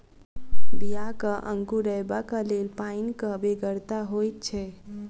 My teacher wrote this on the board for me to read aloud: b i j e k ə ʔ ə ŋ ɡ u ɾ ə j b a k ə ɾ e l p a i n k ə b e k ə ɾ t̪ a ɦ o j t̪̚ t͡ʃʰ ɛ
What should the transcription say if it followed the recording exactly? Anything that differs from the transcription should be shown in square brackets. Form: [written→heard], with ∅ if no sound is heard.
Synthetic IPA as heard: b i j [e→a] k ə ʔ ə ŋ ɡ u ɾ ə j b a k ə [ɾ→l] e l p a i n k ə b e [k→ɡ] ə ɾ t̪ a ɦ o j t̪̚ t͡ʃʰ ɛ